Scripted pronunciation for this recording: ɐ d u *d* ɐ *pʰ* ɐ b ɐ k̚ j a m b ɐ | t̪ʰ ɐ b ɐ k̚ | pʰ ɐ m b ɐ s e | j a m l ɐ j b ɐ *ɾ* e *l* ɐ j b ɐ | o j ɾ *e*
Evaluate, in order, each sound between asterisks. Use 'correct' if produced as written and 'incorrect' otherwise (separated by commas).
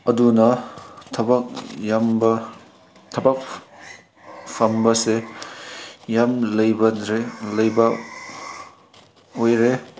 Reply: incorrect, incorrect, correct, correct, correct